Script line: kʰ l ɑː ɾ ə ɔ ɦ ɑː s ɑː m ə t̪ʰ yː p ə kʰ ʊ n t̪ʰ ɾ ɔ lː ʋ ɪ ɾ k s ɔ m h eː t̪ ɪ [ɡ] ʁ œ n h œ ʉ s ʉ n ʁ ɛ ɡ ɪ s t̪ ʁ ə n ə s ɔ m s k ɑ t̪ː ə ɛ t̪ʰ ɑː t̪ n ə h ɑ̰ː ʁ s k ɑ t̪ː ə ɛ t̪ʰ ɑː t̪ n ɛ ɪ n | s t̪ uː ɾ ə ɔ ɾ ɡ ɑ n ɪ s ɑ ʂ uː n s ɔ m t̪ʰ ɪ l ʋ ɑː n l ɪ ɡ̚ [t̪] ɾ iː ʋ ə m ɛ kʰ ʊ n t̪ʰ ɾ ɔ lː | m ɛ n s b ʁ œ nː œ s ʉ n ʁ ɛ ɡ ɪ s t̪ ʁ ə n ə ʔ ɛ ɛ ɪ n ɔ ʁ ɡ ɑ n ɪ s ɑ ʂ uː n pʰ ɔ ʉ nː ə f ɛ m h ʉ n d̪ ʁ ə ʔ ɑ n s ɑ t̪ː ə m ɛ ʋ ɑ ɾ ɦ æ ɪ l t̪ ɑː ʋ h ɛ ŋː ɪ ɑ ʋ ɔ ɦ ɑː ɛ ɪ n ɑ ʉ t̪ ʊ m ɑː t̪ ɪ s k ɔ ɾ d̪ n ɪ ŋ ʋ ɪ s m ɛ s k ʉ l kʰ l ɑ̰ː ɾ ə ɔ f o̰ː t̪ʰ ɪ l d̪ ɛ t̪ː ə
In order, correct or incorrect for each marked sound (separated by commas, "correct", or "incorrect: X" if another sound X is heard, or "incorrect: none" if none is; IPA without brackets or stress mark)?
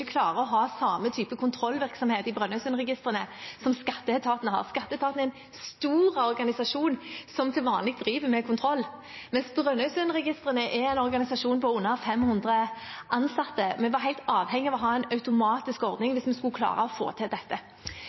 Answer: incorrect: b, incorrect: d̪